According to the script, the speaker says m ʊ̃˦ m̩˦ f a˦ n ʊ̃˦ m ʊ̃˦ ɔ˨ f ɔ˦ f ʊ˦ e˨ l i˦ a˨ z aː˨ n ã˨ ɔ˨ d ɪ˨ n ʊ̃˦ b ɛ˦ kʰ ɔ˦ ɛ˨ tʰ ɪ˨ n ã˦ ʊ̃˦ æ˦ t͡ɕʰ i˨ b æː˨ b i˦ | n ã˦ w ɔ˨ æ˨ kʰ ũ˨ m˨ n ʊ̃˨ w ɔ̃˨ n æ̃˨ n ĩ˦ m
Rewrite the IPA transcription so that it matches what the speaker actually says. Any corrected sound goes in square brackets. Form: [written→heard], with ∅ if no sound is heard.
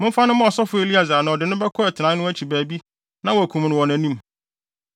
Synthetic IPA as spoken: m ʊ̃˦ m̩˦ f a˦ n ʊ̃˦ m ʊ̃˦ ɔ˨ [f→s] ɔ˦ f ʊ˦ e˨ l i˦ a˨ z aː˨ n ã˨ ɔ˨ d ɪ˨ n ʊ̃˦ b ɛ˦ kʰ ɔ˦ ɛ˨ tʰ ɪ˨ n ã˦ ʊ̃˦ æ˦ t͡ɕʰ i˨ b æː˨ b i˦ | n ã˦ w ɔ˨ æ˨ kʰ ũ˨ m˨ n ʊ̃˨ w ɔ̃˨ n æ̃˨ n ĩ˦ m

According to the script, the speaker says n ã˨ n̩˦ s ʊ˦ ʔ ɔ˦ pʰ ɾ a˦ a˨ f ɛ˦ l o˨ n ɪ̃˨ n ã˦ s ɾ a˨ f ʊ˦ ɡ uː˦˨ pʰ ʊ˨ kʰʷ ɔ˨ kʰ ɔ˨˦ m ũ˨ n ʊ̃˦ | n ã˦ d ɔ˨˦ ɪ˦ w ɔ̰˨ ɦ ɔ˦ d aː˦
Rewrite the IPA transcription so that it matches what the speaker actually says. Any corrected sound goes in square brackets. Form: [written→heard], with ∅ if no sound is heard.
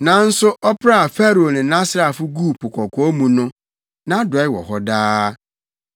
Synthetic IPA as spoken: n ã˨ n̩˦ s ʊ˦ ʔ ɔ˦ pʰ ɾ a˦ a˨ f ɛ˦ [l→ɾ] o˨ n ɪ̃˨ n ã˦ s ɾ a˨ f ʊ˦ ɡ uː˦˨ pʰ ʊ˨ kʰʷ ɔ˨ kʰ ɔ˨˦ m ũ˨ n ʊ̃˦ | n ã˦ d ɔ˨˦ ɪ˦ w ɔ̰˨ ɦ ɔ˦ d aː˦

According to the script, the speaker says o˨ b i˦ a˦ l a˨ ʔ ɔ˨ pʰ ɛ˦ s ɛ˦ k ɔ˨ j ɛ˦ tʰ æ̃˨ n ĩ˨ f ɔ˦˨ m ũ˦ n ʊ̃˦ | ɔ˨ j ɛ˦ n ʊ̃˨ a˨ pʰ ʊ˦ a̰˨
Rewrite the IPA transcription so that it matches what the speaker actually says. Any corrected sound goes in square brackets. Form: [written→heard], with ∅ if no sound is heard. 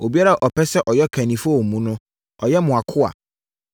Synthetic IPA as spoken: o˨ b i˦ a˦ [l→ɾ] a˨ ʔ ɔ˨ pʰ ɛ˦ s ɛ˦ [k→ʔ] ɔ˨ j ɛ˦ [tʰ→kʰ] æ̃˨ n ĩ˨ f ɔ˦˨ m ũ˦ n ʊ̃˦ | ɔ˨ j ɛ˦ [n→m] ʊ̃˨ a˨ [pʰ→kʰ] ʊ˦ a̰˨

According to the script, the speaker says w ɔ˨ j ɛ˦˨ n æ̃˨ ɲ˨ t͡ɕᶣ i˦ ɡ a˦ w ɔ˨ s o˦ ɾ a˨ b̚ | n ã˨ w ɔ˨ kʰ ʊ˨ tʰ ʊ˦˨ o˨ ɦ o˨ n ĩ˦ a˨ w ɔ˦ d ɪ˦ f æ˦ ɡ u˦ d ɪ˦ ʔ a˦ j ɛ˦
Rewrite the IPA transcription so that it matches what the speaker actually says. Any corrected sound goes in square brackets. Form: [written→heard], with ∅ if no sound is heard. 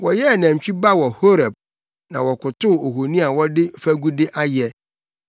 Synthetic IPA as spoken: w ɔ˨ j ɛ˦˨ n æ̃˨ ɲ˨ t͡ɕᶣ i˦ [ɡ→b] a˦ w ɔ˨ [s→h] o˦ ɾ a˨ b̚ | n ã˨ w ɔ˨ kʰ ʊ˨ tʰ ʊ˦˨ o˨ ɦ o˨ n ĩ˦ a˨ w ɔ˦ d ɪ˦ f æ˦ ɡ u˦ d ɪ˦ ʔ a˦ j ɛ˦

